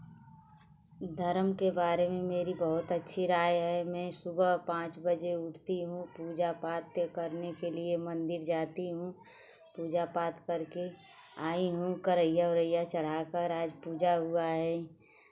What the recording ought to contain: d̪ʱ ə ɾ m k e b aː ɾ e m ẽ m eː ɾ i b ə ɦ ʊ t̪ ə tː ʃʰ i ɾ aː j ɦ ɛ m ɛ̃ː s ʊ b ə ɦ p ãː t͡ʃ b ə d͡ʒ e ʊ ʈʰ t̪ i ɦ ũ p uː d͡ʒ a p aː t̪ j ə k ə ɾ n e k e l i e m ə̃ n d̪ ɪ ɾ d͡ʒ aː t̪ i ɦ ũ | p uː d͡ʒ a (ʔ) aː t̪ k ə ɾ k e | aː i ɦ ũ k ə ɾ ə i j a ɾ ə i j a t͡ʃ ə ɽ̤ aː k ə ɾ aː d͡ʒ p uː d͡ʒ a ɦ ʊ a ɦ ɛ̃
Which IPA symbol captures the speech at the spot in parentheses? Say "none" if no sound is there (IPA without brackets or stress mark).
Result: p